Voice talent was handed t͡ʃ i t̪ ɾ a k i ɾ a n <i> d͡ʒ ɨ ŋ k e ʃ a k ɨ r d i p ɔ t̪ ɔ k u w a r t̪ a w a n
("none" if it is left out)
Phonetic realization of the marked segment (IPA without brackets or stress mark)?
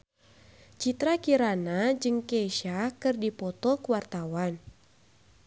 a